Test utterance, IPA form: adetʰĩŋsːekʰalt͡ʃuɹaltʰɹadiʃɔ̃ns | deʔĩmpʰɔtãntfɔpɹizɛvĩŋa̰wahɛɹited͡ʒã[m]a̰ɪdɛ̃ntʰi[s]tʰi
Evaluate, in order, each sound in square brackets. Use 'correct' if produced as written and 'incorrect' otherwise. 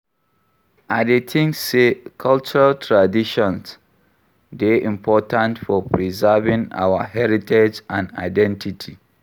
incorrect, incorrect

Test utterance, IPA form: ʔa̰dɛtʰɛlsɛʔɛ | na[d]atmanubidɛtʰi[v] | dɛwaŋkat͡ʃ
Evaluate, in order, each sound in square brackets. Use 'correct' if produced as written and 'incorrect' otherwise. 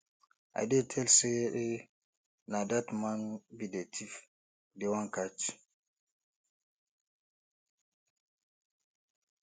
correct, incorrect

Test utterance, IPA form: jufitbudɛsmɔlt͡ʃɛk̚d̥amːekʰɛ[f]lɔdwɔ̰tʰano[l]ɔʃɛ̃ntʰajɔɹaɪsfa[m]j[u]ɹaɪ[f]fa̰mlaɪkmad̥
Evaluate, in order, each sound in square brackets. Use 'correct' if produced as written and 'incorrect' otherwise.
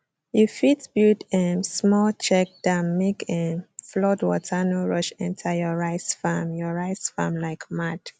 correct, incorrect, correct, incorrect, incorrect

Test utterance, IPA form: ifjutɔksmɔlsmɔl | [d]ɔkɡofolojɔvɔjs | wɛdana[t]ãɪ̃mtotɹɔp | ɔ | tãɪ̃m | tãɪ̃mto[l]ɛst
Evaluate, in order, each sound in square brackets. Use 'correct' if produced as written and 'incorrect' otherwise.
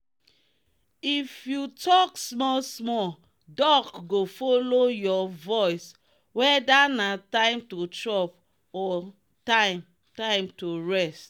correct, correct, incorrect

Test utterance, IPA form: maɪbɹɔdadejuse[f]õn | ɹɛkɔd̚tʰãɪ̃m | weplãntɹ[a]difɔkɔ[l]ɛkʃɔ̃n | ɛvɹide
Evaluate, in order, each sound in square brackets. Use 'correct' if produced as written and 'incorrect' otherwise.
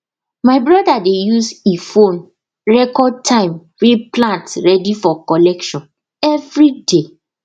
correct, incorrect, correct

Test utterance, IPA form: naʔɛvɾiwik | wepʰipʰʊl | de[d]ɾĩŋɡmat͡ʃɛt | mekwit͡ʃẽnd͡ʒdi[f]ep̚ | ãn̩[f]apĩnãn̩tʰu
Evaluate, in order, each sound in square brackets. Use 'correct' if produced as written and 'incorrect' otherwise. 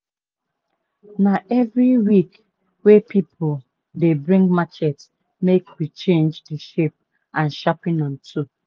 incorrect, incorrect, incorrect

